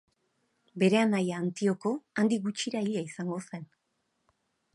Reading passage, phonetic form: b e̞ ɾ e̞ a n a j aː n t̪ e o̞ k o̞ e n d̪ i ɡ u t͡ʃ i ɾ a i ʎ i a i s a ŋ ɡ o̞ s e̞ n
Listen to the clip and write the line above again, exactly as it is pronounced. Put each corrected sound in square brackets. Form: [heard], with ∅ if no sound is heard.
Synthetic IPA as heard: b e̞ ɾ e̞ a n a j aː n t̪ [i] o̞ k o̞ [a] n d̪ i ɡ u t͡ʃ i ɾ a i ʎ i a i s a ŋ ɡ o̞ s e̞ n